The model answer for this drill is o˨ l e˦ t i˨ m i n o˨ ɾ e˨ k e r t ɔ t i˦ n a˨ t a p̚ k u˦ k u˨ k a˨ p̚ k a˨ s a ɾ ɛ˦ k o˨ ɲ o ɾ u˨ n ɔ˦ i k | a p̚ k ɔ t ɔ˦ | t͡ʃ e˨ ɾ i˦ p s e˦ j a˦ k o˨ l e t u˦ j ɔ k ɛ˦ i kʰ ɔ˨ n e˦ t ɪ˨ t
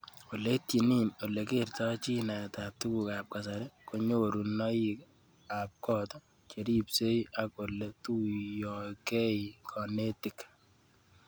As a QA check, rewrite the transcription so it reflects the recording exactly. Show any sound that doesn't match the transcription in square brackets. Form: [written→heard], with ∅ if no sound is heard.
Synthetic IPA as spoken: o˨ l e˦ t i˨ [m→n] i n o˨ [ɾ→l] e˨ k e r t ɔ [t→t͡ʃ] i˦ n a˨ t a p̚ [k→t] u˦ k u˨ k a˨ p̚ k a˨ s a ɾ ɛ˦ k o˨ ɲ o ɾ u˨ n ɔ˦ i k | a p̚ k ɔ t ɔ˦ | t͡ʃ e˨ ɾ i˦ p s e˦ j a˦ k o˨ l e t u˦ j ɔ k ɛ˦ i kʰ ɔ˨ n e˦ t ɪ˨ [t→k]